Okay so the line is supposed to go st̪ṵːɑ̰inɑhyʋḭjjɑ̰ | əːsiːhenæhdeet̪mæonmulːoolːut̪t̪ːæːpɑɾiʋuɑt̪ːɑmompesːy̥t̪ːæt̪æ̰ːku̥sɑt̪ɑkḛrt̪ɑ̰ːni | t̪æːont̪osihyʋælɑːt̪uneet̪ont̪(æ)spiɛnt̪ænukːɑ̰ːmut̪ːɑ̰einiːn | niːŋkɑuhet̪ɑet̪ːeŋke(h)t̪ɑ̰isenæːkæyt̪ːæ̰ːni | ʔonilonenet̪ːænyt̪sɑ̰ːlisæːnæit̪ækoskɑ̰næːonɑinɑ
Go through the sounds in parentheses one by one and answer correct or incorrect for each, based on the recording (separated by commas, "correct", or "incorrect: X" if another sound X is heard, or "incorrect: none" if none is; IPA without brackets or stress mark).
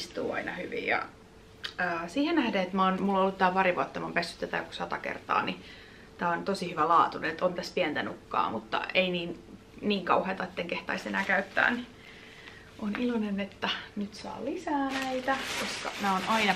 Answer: correct, correct